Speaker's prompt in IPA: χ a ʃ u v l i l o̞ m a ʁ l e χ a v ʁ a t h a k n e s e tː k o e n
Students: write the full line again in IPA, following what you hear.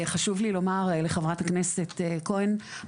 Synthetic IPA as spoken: χ a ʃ u v l i l o̞ m a ʁ l e χ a v ʁ a t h a k n e s e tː k o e n